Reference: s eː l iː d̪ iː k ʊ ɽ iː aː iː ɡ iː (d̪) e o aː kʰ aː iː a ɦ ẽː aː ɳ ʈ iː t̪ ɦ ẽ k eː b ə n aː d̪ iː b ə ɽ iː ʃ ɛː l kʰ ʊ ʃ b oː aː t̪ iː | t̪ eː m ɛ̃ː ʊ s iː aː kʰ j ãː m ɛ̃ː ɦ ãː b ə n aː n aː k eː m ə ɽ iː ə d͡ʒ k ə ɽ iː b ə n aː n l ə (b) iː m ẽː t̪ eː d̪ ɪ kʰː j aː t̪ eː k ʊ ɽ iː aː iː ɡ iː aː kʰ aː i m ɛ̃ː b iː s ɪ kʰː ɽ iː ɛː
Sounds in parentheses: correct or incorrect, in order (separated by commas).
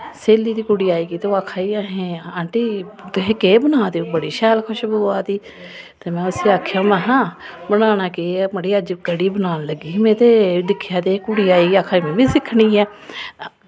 incorrect, incorrect